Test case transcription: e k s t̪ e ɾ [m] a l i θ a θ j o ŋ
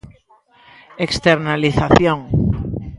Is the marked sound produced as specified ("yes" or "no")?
no